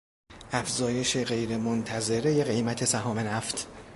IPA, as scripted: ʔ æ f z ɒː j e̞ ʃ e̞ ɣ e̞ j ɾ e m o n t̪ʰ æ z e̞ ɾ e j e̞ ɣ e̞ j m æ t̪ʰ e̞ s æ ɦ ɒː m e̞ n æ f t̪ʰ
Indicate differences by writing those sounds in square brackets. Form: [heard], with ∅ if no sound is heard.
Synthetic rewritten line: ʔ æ f z ɒː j e̞ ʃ e̞ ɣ e̞ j ɾ e m o n t̪ʰ æ z e̞ ɾ e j e̞ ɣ e̞ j m æ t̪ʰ e̞ s æ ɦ ɒː m e̞ n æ f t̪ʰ